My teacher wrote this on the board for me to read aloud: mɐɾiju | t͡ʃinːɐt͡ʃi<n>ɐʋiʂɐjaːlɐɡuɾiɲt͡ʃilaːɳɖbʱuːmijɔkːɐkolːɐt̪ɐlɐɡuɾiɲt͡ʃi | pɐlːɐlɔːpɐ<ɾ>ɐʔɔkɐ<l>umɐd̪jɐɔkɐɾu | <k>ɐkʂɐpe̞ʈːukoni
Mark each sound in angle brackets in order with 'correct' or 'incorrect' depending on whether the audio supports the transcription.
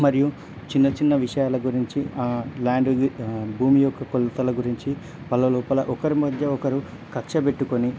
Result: incorrect, incorrect, incorrect, correct

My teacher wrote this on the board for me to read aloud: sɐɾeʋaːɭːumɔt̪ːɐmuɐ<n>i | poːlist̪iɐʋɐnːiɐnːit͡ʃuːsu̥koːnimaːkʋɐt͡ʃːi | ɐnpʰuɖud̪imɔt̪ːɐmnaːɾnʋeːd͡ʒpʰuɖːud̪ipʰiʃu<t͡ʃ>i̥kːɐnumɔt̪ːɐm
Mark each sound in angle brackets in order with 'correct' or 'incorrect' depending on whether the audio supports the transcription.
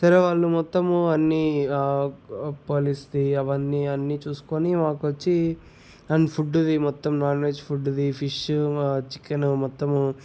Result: incorrect, correct

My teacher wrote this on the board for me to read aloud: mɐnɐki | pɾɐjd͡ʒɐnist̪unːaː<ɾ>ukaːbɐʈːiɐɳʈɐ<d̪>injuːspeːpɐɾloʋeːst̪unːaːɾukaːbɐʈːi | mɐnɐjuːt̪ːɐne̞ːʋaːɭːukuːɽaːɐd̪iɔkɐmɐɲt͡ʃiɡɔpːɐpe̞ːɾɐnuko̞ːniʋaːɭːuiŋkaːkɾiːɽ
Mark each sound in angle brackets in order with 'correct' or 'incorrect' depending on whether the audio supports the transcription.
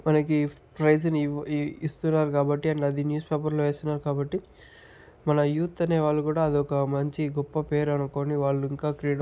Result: correct, correct

